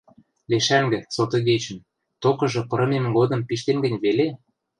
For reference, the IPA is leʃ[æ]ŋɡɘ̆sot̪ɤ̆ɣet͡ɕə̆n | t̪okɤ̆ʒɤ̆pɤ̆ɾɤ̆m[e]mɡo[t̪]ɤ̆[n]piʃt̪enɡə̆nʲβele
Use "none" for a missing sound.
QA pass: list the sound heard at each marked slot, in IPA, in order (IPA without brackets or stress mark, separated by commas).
æ, e, d̪, m